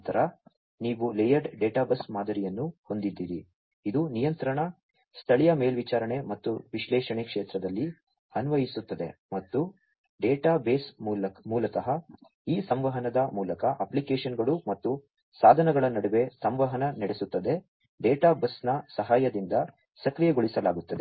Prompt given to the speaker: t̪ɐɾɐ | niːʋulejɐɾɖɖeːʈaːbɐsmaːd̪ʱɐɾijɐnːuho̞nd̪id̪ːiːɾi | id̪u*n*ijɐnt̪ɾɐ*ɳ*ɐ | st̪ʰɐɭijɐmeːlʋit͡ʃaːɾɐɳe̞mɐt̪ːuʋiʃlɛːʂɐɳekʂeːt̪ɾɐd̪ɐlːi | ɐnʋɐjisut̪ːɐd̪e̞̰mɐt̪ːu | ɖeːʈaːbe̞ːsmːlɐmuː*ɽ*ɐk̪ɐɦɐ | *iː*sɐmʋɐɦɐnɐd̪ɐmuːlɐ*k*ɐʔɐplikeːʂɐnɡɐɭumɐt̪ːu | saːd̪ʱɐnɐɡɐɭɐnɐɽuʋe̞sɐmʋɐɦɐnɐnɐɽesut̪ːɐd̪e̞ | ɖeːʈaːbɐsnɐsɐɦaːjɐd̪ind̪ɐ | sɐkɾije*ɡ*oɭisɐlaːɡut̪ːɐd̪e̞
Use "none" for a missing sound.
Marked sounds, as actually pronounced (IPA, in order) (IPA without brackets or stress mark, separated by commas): n, ɳ, l, iː, k, ɡ